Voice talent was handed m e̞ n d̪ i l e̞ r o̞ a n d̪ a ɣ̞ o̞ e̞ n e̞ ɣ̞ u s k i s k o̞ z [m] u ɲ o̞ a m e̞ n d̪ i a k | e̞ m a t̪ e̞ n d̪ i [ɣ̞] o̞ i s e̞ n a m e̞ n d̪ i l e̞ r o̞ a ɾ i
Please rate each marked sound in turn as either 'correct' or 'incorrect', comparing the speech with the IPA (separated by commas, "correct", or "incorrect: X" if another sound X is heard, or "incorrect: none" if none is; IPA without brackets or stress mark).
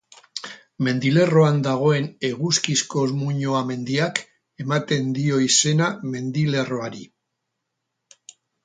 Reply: correct, incorrect: none